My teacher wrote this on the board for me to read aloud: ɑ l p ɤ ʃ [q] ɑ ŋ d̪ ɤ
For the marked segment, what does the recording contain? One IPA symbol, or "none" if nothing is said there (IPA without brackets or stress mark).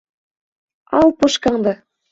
k